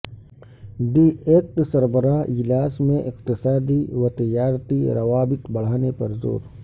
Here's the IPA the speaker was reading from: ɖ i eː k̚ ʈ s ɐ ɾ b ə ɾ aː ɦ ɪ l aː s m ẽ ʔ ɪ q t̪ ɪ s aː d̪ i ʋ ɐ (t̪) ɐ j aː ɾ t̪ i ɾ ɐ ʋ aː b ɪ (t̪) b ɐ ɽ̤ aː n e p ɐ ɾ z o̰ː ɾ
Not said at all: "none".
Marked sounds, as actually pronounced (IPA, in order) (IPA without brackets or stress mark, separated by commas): t̪, t̪